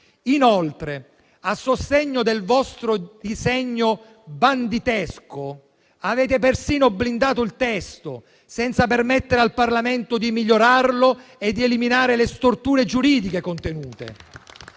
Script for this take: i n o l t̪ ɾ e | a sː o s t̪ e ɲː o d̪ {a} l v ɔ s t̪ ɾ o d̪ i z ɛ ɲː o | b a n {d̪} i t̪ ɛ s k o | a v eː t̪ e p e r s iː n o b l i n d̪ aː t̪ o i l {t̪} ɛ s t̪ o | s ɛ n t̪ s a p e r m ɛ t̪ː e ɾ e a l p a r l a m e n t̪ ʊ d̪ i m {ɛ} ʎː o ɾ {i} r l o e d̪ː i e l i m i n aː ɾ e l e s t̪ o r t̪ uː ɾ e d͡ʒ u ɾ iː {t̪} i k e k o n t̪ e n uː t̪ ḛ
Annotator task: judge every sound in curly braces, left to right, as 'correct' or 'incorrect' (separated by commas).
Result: incorrect, correct, correct, incorrect, incorrect, incorrect